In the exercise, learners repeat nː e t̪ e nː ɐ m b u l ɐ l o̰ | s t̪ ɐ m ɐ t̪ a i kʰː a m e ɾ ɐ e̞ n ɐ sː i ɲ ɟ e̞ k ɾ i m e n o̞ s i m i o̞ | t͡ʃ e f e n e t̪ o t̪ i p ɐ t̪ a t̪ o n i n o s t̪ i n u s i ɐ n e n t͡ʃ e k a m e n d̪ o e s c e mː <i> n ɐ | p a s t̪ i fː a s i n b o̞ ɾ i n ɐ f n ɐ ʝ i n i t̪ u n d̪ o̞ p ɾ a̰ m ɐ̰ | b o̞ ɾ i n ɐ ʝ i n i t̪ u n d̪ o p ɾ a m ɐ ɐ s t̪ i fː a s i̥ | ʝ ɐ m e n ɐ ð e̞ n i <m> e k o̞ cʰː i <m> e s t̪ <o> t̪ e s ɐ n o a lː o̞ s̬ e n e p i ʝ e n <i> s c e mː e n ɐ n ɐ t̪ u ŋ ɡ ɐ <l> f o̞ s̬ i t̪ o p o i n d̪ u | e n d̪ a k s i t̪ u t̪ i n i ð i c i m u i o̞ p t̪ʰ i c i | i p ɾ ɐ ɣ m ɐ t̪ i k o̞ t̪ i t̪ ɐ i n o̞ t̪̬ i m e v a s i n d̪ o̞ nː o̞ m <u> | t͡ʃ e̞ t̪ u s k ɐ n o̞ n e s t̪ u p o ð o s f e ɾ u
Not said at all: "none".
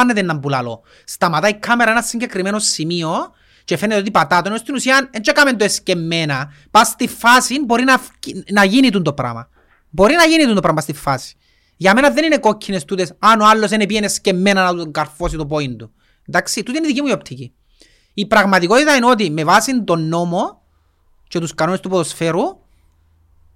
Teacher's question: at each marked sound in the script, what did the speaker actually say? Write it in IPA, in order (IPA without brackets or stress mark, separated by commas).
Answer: e, n, n, u, e, ɾ, o